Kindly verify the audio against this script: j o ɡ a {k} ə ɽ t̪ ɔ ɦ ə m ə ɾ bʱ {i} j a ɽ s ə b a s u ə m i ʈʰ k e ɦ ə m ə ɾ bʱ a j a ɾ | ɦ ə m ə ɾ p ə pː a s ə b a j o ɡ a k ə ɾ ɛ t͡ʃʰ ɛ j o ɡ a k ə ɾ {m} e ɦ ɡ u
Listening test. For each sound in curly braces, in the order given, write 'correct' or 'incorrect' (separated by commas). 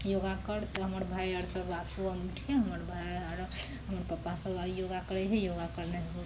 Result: correct, incorrect, incorrect